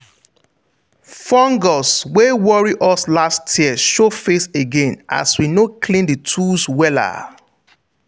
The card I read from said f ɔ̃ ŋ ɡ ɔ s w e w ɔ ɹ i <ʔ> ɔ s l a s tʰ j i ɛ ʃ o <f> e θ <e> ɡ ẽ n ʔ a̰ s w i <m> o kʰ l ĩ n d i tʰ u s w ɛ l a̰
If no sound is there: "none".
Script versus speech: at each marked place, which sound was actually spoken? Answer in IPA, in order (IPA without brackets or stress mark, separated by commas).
ʔ, f, e, n